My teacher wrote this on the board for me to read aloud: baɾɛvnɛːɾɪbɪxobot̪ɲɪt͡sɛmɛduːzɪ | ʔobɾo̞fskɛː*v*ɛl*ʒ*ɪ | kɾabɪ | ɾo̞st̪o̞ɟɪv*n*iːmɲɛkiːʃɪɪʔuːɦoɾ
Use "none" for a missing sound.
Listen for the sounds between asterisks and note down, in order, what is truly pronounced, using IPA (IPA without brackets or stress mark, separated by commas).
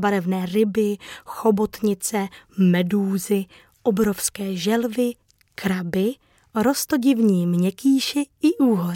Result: ʒ, v, ɲ